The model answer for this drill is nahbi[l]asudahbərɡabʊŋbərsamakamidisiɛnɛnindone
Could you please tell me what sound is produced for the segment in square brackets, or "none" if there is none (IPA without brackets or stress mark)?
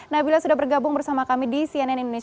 l